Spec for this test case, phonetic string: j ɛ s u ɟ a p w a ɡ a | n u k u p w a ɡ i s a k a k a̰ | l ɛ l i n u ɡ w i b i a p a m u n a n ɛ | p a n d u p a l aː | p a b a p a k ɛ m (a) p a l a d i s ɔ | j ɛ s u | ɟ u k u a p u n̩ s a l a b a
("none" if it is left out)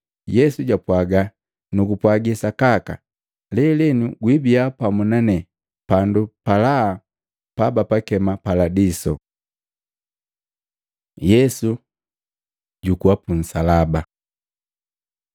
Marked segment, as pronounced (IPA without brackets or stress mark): a